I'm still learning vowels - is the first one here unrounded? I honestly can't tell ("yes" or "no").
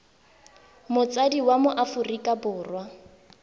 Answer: no